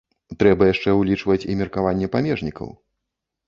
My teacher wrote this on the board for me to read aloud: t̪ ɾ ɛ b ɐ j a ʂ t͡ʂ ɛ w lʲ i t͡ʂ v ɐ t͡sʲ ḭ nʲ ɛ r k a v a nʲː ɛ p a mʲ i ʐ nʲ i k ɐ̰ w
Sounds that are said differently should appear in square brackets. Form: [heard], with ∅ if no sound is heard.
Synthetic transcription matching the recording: t̪ ɾ ɛ b ɐ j a ʂ t͡ʂ ɛ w lʲ i t͡ʂ v ɐ t͡sʲ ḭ [mʲ] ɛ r k a v a nʲː ɛ p a mʲ [ɛ] ʐ nʲ i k ɐ̰ w